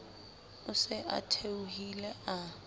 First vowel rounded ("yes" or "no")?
yes